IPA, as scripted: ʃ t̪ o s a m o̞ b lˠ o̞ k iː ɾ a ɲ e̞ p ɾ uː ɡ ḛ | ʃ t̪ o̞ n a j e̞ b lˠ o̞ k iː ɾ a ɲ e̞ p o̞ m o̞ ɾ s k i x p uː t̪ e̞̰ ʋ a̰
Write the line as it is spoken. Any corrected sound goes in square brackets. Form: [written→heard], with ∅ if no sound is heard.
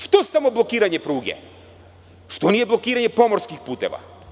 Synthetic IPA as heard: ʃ t̪ o s a m o̞ b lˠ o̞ k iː ɾ a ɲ e̞ p ɾ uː ɡ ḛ | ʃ t̪ o̞ n [a→i] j e̞ b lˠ o̞ k iː ɾ a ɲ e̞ p o̞ m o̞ ɾ s k i x p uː t̪ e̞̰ ʋ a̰